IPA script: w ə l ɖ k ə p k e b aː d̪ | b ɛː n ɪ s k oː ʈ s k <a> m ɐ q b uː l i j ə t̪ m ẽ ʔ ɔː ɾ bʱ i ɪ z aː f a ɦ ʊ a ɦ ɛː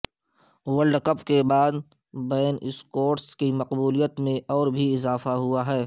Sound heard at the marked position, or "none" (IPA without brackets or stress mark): i